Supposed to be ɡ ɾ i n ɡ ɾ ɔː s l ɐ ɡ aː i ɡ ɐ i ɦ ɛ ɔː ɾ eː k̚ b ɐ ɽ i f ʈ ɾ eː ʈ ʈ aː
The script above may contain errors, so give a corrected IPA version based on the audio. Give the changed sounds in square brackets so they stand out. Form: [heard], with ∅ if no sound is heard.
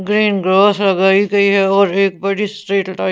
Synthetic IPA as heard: ɡ ɾ [iː] n ɡ ɾ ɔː s l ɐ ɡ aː i ɡ ɐ i ɦ ɛ ɔː ɾ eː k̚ b ɐ ɽ i [s] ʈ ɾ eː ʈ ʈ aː